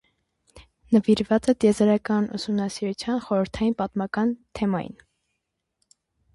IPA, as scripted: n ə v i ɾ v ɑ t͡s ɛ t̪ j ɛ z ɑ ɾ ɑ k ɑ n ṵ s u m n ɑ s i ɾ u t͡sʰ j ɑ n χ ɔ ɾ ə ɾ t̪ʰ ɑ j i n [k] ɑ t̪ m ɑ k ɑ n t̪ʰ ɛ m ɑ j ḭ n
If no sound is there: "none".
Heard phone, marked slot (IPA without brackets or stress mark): p